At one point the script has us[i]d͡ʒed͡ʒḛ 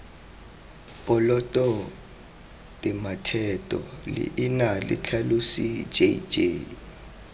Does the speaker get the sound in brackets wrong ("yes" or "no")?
no